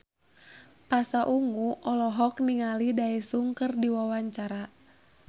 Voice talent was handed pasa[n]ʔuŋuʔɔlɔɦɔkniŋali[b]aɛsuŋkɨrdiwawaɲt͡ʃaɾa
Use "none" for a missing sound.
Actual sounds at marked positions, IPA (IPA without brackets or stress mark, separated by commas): none, d